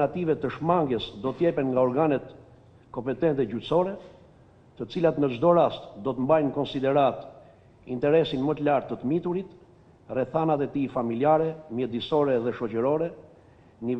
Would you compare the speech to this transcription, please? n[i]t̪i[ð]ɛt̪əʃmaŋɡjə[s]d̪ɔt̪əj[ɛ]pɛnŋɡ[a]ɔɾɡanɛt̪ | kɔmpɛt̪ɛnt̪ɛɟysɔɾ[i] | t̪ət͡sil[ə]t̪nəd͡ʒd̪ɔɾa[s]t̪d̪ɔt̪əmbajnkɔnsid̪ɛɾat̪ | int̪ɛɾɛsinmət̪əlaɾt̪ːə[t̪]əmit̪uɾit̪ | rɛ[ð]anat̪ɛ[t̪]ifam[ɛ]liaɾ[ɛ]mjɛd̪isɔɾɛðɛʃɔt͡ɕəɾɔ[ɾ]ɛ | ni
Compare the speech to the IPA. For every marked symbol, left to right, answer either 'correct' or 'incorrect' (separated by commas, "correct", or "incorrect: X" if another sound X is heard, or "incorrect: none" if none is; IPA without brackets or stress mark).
incorrect: a, incorrect: v, correct, correct, correct, incorrect: ɛ, incorrect: a, correct, correct, incorrect: θ, correct, incorrect: i, correct, correct